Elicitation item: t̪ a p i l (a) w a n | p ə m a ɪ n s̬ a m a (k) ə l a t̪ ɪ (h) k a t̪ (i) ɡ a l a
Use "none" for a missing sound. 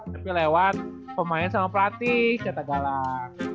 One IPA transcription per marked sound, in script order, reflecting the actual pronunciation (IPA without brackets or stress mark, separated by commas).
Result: e, p, h, a